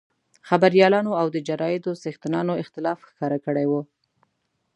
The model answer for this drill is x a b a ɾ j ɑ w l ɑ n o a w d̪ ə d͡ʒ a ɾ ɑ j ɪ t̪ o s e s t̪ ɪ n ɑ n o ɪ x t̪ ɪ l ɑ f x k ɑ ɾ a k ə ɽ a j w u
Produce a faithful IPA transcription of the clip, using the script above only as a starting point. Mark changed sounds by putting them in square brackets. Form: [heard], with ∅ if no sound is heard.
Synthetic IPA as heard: x a b a ɾ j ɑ [∅] l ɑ n o a w d̪ ə d͡ʒ a ɾ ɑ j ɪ [d̪] o s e [x] t̪ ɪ n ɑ n o ɪ x t̪ ɪ l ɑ f x k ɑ ɾ a k ə ɽ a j w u